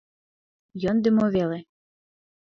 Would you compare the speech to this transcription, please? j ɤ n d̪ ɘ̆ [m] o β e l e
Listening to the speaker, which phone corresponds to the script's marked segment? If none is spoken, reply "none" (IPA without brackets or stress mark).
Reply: m